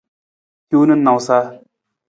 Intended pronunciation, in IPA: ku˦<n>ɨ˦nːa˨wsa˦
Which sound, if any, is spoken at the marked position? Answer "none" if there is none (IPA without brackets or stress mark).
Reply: n